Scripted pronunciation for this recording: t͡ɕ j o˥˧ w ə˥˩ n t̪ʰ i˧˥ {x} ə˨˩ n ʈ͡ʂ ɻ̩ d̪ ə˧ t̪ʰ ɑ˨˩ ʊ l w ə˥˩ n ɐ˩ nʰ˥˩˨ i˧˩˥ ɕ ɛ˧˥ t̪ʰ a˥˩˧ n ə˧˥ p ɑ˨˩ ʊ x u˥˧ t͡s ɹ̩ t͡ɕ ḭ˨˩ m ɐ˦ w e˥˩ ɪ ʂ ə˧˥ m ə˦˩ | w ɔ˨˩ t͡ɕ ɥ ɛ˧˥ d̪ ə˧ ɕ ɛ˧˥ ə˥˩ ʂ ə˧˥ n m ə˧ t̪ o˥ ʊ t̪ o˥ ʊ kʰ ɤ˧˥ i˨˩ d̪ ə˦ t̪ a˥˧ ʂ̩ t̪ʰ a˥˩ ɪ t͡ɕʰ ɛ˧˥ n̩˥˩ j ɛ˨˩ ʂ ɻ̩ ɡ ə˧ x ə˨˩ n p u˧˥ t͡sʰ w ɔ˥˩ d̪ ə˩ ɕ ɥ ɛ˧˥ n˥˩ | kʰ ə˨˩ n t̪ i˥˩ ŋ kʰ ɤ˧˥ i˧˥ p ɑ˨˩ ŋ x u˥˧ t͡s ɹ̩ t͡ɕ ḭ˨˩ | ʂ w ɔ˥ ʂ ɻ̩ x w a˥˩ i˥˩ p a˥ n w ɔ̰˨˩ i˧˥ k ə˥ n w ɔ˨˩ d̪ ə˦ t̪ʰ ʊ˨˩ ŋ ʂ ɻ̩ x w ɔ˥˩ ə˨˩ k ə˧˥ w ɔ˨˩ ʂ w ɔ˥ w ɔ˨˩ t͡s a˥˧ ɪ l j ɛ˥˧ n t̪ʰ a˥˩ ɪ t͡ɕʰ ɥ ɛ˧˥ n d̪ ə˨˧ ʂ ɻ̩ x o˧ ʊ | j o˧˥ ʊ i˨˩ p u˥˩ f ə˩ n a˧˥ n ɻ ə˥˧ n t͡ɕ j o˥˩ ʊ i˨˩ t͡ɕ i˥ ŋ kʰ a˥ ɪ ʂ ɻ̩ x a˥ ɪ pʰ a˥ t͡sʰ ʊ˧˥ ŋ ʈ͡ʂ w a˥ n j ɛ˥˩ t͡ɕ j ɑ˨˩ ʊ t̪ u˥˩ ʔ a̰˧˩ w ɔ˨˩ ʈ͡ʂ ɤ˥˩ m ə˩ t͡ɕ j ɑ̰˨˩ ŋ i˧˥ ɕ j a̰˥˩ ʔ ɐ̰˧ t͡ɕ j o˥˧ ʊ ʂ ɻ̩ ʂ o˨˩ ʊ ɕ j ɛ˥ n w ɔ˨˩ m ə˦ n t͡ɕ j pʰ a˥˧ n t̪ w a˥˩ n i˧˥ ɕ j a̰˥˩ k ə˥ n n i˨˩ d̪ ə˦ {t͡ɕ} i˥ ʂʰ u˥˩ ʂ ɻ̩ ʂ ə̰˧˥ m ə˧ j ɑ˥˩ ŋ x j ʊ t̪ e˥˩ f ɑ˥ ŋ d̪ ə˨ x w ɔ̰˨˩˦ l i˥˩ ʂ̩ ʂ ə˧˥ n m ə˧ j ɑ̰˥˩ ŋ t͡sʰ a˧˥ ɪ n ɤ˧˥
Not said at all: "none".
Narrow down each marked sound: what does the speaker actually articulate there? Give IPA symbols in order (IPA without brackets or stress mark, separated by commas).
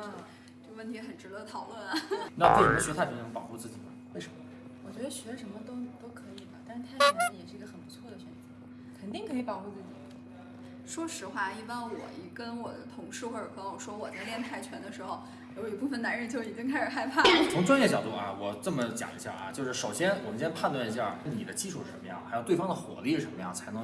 x, t͡ɕ